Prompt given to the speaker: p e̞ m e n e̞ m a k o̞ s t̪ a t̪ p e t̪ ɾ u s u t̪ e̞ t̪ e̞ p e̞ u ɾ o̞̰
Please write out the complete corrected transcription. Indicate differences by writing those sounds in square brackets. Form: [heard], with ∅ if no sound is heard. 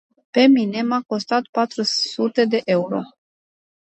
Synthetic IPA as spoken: p e̞ m [i] n e̞ m a k o̞ s t̪ a t̪ p [a] t̪ ɾ u s u t̪ e̞ [d̪] e̞ [ʔ] e̞ u ɾ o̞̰